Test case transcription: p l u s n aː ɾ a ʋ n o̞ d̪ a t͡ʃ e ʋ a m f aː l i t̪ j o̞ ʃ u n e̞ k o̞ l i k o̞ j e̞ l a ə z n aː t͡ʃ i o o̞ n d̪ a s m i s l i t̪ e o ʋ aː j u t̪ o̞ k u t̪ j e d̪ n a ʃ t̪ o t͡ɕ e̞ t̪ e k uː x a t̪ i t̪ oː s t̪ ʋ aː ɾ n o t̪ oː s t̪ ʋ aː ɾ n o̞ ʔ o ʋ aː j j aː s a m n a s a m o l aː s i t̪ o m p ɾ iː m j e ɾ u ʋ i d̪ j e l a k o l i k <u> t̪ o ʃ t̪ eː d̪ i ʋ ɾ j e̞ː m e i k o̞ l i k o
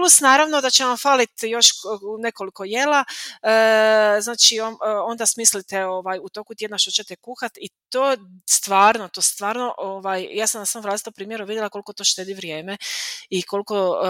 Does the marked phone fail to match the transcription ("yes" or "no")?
yes